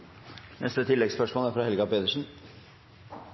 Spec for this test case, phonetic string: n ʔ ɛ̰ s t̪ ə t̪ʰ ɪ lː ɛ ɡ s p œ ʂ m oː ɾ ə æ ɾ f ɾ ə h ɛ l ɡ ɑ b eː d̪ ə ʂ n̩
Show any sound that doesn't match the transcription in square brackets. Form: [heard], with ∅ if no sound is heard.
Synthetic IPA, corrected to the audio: n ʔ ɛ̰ s t̪ ə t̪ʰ ɪ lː ɛ ɡ s p œ ʂ m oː [l] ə æ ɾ f ɾ [ɑ] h ɛ l ɡ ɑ [p] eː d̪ ə ʂ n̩